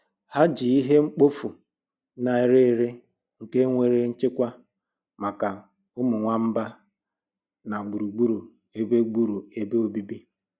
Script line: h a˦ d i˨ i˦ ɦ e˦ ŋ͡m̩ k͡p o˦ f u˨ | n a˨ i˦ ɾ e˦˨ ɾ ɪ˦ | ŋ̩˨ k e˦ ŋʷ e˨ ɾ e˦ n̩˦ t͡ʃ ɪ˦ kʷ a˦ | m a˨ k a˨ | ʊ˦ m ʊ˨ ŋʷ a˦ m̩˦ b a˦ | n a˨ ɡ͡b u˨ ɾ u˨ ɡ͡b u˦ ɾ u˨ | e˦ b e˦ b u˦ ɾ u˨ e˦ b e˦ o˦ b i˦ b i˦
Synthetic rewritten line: h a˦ d͡ʒ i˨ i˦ ɦ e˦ ŋ͡m̩ k͡p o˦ f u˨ | n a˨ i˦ ɾ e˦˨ ɾ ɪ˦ | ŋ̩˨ k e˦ ŋʷ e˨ ɾ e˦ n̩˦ t͡ʃ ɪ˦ kʷ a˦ | m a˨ k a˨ | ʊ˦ m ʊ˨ ŋʷ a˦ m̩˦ b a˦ | n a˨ ɡ͡b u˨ ɾ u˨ ɡ͡b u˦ ɾ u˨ | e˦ b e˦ ɡ͡b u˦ ɾ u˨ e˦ b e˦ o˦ b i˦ b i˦